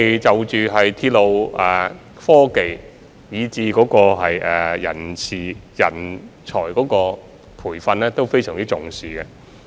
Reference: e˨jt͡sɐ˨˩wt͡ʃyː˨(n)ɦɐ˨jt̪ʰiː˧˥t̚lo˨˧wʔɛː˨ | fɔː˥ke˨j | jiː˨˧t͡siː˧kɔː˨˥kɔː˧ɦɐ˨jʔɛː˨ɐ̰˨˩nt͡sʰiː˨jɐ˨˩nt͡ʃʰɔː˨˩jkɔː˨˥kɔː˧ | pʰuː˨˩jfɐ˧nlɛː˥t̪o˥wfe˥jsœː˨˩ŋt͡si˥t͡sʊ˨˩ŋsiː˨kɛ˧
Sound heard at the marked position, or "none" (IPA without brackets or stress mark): none